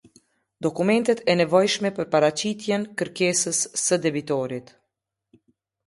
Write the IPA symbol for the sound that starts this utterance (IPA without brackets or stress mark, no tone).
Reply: d̪